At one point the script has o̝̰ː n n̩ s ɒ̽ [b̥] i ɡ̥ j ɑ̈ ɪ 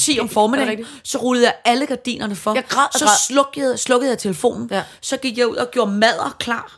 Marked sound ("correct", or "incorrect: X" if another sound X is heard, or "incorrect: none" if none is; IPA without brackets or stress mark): incorrect: ɡ̥